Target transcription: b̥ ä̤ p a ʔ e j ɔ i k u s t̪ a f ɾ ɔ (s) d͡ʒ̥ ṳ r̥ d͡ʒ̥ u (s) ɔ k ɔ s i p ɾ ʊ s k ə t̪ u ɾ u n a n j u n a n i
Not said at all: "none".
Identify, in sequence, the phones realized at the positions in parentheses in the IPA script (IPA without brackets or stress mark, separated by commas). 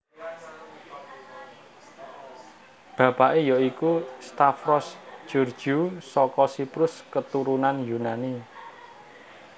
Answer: s, s